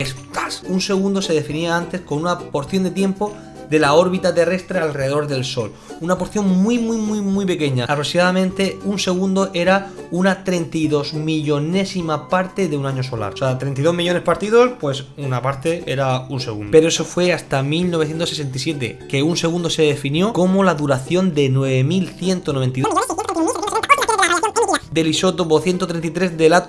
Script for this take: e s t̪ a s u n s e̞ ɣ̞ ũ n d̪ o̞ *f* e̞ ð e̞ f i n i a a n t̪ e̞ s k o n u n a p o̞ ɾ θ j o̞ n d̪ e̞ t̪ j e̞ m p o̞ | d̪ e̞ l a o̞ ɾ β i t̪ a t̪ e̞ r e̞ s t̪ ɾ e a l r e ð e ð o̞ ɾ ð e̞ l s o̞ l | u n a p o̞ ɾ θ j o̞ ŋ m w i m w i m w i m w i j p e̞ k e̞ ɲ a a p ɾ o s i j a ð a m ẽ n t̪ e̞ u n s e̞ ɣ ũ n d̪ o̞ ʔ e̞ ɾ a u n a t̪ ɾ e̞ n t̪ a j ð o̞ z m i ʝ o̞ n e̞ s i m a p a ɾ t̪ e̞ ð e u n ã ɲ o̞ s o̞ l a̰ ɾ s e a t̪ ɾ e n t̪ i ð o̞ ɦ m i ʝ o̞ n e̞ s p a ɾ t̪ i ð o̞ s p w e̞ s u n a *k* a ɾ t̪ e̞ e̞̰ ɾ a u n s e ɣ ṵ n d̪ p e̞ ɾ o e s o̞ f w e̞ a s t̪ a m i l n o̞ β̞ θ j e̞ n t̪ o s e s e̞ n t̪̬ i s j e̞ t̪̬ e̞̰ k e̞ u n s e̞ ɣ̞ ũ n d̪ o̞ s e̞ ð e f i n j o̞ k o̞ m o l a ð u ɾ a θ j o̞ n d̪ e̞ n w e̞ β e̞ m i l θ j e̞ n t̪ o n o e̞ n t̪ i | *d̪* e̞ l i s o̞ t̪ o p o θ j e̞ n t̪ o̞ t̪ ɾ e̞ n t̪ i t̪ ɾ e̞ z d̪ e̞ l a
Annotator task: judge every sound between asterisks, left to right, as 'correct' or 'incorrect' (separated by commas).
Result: incorrect, incorrect, correct